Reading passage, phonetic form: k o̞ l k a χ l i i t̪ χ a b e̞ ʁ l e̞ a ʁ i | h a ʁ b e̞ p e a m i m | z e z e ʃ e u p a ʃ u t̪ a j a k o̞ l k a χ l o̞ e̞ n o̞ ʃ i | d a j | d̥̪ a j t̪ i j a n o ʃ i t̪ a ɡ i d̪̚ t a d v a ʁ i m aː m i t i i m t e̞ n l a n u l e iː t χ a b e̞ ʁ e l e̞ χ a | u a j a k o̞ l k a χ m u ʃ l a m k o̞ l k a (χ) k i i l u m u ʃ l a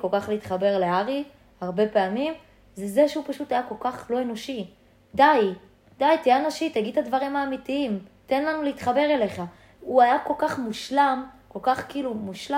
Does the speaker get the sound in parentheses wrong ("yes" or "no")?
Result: no